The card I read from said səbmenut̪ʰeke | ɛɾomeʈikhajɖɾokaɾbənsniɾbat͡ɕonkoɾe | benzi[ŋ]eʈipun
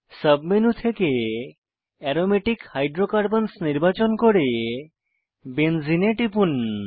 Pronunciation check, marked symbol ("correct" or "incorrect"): incorrect